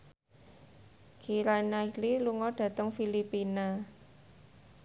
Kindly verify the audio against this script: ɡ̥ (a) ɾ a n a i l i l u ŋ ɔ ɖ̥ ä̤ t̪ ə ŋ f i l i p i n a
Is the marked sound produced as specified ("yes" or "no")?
no